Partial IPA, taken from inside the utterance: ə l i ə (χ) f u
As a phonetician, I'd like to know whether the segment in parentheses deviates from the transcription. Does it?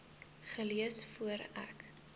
yes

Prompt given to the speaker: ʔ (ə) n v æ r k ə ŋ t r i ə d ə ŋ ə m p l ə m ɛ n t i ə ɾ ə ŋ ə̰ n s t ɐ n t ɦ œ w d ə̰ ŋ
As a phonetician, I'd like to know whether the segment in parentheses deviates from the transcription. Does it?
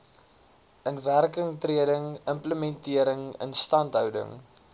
no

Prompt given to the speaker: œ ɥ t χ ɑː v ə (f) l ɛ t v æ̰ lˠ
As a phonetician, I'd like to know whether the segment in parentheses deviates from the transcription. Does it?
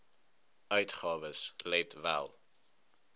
yes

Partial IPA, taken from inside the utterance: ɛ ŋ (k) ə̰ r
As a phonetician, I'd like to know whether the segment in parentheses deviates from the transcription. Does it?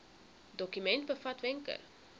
no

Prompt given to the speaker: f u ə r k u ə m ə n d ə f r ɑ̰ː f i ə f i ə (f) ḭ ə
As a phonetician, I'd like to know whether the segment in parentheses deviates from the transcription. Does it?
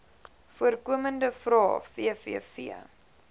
no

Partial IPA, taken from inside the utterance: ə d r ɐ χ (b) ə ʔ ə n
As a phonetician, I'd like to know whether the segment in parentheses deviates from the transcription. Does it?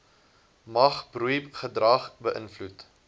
no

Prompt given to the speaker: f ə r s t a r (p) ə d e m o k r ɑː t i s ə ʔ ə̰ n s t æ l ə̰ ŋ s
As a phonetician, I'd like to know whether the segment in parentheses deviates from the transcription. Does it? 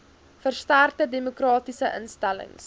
yes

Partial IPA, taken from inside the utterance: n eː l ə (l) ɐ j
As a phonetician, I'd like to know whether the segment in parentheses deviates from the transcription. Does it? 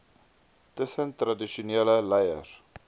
no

